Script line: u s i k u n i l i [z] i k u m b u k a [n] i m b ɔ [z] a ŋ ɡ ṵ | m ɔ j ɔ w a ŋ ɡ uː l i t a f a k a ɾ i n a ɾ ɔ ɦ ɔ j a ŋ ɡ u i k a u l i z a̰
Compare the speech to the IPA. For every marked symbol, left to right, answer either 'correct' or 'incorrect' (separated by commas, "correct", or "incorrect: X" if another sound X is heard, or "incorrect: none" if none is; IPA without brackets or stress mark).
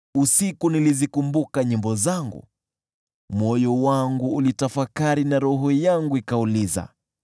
correct, incorrect: ɲ, correct